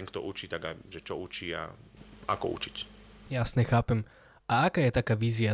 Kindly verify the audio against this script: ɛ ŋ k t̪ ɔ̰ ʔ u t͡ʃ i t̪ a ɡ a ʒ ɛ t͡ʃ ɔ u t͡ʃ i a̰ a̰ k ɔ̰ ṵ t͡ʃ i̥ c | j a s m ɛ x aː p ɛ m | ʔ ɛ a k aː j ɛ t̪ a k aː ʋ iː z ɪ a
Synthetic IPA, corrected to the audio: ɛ ŋ k t̪ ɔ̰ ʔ u t͡ʃ i t̪ a ɡ a ʒ ɛ t͡ʃ ɔ u t͡ʃ i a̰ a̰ k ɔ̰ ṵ t͡ʃ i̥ c | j a s ɲ ɛ x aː p ɛ m | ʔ a a k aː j ɛ t̪ a k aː ʋ iː z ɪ a